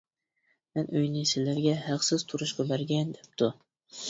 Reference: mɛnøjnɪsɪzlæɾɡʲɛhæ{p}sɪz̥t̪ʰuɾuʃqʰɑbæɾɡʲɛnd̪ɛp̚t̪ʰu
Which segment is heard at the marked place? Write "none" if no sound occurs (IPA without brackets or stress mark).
q